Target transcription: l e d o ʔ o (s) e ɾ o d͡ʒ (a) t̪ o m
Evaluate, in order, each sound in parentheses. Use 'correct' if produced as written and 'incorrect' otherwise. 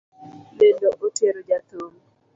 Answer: incorrect: t, correct

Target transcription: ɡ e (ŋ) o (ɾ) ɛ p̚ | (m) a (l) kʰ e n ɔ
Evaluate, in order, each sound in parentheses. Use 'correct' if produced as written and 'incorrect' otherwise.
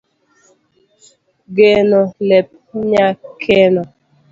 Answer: incorrect: n, incorrect: l, incorrect: ɲ, incorrect: none

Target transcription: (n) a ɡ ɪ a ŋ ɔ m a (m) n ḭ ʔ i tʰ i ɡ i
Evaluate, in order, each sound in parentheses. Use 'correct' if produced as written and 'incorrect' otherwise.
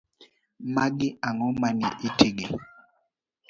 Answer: incorrect: m, incorrect: none

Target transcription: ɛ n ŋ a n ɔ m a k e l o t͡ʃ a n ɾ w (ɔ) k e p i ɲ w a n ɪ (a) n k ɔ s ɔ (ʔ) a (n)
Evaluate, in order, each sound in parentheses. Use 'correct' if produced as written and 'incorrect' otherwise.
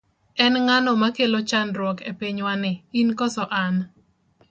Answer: correct, incorrect: i, correct, correct

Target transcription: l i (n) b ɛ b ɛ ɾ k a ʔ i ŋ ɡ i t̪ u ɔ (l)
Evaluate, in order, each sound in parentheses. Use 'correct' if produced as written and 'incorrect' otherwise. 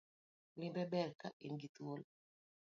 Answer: incorrect: m, correct

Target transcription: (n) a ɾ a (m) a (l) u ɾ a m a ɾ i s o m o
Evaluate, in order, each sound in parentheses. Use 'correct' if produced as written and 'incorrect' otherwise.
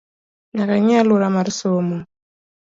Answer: correct, incorrect: ɲ, correct

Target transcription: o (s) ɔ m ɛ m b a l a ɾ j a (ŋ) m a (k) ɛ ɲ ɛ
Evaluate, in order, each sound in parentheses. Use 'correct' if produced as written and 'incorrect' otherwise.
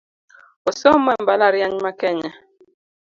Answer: correct, incorrect: ɲ, correct

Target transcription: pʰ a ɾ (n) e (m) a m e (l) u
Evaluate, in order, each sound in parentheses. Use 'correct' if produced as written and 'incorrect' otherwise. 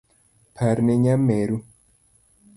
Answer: correct, incorrect: ɲ, incorrect: ɾ

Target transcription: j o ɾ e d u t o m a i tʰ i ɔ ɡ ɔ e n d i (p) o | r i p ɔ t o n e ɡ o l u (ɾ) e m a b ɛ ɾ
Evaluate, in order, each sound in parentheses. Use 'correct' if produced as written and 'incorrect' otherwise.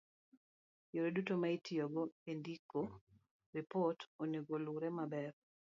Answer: incorrect: k, correct

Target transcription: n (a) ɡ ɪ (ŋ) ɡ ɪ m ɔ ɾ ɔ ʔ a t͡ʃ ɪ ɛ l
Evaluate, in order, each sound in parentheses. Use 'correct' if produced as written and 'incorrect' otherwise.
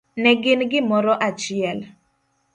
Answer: incorrect: ɛ, incorrect: n

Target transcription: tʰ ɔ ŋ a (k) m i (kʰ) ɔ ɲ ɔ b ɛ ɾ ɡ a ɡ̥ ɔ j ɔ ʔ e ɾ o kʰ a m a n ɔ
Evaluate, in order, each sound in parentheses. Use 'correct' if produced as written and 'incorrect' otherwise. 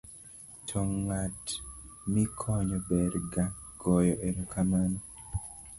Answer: incorrect: t, correct

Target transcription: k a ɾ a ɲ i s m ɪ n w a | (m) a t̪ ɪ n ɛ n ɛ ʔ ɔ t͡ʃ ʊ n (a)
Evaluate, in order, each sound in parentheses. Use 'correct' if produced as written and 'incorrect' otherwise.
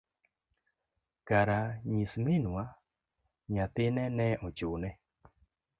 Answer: incorrect: ɲ, incorrect: ɛ

